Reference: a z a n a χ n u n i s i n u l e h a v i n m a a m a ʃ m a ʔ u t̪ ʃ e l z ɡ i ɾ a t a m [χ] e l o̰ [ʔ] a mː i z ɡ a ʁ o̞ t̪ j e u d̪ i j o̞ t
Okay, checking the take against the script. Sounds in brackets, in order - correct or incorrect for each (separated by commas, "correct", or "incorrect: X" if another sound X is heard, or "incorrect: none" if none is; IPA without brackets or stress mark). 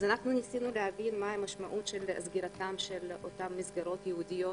incorrect: ʃ, incorrect: t